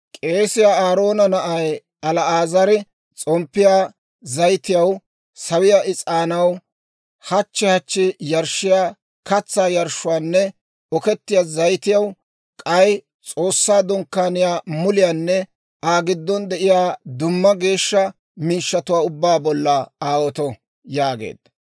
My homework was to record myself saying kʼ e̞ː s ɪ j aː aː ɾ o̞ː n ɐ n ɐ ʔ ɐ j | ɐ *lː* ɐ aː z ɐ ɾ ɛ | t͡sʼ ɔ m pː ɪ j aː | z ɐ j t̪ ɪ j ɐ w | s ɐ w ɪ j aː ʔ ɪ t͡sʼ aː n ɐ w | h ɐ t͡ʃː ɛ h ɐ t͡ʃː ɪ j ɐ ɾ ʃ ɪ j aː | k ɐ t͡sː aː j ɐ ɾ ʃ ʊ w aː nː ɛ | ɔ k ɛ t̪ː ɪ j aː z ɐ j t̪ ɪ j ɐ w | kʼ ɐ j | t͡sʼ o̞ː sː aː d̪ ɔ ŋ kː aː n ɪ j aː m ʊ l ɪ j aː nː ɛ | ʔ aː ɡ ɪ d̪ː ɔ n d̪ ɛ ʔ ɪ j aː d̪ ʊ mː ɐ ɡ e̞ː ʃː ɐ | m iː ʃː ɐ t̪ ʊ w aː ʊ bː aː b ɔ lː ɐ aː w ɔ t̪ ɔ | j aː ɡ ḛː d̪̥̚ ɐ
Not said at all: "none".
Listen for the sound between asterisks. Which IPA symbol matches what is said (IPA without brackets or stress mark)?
l